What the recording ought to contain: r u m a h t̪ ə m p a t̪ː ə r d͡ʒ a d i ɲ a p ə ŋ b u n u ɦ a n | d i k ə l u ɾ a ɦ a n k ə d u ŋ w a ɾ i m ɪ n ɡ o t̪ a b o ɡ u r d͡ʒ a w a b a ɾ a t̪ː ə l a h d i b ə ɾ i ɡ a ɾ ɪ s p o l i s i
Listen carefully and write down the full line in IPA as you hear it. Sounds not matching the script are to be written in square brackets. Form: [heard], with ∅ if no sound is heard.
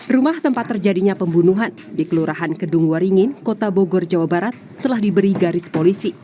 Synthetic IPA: r u m a h t̪ ə m p a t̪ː ə r d͡ʒ a d i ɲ a p ə [m] b u n u ɦ a n | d i k ə l u ɾ a ɦ a n k ə d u ŋ w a ɾ i [ŋ] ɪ n [k] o t̪ a b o ɡ [ɔ] r d͡ʒ a w a b a ɾ a t̪ː ə l a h d i b ə ɾ i ɡ a ɾ ɪ s p o l i s i

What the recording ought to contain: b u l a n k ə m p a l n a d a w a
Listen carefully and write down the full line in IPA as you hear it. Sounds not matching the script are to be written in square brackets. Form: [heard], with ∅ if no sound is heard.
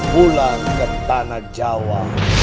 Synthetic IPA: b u l a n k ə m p a [∅] n a [d͡ʒ] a w a

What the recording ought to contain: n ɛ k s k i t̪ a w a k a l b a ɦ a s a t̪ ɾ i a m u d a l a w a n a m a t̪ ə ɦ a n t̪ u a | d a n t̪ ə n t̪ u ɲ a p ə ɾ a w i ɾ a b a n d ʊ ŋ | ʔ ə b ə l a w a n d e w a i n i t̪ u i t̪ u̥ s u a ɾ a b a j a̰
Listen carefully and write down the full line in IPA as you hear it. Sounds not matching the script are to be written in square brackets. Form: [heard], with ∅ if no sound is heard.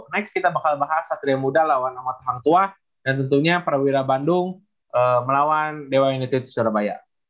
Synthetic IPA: n ɛ k s k i t̪ a [b] a k a l b a ɦ a s a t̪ ɾ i a m u d a l a w a n a m a t̪ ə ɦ a n t̪ u a | d a n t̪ ə n t̪ u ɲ a p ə ɾ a w i ɾ a b a n d ʊ ŋ | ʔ ə [m] ə l a w a n d e w a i n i t̪ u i t̪ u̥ s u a ɾ a b a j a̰

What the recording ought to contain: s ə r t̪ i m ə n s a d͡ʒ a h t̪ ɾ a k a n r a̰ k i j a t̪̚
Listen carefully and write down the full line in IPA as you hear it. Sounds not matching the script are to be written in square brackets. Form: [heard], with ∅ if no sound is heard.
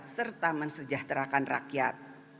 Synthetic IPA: s ə r t̪ [a] m ə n s [ə] d͡ʒ a h t̪ ɾ a k a n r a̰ k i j a t̪̚

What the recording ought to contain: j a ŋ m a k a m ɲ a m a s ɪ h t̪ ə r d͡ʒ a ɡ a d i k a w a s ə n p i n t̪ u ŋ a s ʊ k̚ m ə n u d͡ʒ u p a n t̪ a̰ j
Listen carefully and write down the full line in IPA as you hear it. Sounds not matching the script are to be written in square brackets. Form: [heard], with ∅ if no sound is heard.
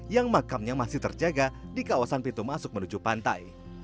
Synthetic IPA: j a ŋ m a k a m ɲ a m a s ɪ h t̪ ə r d͡ʒ a ɡ a d i k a w a s [a] n p i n t̪ u [m] a s ʊ k̚ m ə n u d͡ʒ u p a n t̪ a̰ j

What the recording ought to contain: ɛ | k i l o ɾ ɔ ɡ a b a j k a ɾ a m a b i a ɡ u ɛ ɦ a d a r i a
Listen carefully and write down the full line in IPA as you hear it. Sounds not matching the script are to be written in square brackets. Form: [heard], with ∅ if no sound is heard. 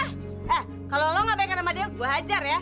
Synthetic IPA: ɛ | k [a] l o [l] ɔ [ŋ] a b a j k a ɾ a m a [d] i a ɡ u [a] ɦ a [d͡ʒ] a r [j] a

